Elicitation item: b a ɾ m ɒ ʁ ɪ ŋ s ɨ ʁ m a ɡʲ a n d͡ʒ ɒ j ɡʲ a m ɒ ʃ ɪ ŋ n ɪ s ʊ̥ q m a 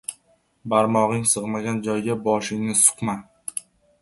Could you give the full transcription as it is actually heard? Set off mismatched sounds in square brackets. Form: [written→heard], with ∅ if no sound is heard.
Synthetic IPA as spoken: b a ɾ m ɒ ʁ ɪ ŋ s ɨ ʁ m a ɡʲ a n d͡ʒ ɒ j ɡʲ a [m→b] ɒ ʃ ɪ ŋ n ɪ s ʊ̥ q m a